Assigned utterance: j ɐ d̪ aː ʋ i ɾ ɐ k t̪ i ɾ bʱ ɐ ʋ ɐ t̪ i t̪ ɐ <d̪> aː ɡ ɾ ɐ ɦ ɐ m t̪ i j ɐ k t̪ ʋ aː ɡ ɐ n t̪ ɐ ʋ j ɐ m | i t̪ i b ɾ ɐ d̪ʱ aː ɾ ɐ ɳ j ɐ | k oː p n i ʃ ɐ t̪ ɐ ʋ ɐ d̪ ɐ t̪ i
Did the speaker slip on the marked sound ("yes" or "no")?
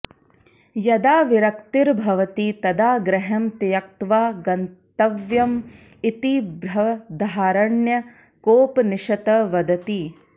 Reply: no